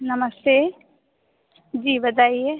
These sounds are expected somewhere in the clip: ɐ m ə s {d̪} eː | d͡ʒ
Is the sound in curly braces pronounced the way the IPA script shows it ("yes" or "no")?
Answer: no